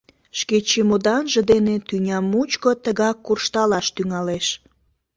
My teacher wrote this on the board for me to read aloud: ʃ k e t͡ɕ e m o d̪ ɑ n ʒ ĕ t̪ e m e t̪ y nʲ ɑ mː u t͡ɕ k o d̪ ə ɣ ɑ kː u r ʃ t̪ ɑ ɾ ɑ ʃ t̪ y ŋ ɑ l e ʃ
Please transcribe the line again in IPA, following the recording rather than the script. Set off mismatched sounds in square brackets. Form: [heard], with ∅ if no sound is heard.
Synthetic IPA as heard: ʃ k e t͡ɕ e m o d̪ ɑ n ʒ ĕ [d̪] e [n] e t̪ y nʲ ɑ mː u t͡ɕ k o [t̪] ə ɣ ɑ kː u r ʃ t̪ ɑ [l] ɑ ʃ t̪ y ŋ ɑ l e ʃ